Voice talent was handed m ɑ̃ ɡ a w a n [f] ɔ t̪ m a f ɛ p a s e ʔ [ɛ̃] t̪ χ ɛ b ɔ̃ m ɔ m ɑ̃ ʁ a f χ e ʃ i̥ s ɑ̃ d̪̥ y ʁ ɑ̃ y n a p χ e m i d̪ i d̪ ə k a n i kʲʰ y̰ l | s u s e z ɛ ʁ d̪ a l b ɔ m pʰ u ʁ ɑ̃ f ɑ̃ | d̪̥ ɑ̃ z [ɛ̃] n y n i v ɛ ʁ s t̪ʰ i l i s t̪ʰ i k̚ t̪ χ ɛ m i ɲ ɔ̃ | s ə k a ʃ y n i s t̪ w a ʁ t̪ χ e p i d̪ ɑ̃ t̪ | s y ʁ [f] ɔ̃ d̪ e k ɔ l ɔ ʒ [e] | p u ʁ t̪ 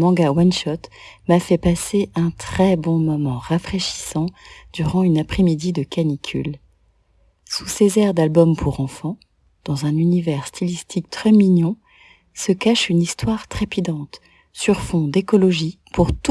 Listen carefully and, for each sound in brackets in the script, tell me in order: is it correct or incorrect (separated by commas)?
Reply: incorrect, correct, correct, correct, incorrect